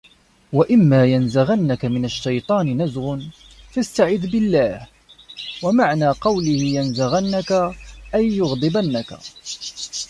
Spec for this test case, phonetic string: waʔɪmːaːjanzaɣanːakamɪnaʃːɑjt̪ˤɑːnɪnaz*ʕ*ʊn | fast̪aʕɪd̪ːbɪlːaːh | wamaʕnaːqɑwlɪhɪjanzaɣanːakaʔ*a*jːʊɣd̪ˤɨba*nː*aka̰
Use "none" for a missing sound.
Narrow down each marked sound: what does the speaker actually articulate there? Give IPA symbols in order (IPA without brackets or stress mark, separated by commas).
ɣ, a, nː